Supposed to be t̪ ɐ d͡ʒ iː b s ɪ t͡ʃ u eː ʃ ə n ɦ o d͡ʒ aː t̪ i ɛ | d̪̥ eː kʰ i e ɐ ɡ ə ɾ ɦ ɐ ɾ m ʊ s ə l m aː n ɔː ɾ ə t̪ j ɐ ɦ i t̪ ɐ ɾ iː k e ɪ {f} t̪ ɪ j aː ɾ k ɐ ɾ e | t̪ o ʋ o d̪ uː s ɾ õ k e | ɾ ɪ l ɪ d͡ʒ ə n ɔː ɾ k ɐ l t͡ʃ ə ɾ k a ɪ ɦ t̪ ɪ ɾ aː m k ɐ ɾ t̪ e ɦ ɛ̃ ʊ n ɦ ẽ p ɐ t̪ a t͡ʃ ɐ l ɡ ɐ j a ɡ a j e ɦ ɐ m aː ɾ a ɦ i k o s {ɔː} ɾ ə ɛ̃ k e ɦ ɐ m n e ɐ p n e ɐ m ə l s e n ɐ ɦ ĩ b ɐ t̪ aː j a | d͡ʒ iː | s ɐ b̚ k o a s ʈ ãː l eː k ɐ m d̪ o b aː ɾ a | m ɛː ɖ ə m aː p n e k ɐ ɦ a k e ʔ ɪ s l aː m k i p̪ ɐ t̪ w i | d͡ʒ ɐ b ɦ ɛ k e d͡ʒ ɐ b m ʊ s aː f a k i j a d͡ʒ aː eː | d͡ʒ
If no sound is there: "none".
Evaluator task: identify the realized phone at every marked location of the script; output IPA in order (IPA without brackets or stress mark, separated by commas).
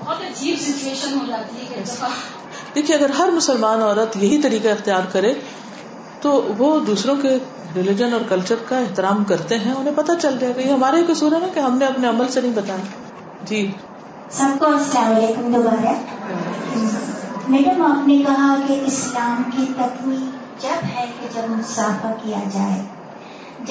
x, uː